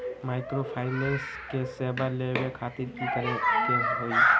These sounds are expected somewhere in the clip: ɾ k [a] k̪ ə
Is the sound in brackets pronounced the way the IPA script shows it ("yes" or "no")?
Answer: no